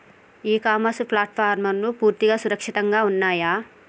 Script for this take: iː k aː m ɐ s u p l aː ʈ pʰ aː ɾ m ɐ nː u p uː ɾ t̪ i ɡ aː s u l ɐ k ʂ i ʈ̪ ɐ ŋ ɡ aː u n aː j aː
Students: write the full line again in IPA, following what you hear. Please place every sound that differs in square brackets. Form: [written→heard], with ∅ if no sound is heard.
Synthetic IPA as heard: iː k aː m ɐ s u p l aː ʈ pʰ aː ɾ m ɐ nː u p uː ɾ t̪ i ɡ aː s u [l→ɾ] ɐ k ʂ i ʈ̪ ɐ ŋ ɡ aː u [n→nː] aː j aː

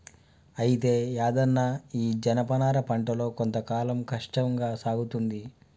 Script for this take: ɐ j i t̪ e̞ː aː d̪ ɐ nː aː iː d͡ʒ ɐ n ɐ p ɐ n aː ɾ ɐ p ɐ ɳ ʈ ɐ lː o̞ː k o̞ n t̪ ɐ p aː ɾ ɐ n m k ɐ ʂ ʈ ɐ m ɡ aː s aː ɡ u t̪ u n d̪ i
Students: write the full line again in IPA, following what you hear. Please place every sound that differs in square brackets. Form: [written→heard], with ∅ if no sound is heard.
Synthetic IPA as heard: ɐ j i t̪ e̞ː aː d̪ ɐ nː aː iː d͡ʒ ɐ n ɐ p ɐ n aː ɾ ɐ p ɐ ɳ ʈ ɐ [lː→l] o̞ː k o̞ n t̪ ɐ [p→k] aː [ɾ→l] ɐ [n→∅] m k ɐ ʂ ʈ ɐ [m→ŋ] ɡ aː s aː ɡ u t̪ u n d̪ i

